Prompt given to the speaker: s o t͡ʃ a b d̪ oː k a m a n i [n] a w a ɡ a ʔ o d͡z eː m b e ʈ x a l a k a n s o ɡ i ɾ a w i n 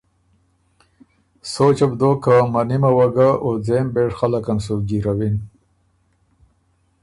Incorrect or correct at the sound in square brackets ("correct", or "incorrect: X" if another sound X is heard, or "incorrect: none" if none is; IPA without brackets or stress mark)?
incorrect: m